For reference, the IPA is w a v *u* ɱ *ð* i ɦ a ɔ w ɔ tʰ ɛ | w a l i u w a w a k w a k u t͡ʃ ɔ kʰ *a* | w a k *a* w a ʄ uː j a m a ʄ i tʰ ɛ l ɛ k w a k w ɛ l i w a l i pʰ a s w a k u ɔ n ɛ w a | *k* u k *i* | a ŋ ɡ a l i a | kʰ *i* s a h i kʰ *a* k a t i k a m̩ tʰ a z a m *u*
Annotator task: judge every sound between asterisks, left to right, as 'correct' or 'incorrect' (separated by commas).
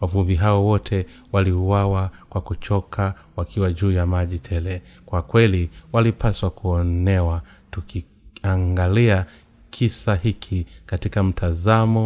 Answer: correct, incorrect, correct, incorrect, incorrect, correct, correct, incorrect, incorrect